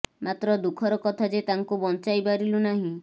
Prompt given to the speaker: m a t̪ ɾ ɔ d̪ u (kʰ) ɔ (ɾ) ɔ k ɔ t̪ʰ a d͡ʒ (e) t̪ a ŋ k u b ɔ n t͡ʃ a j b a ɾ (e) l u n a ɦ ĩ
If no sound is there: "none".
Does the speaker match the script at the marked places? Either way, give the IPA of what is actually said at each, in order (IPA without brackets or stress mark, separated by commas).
kʰ, ɾ, e, i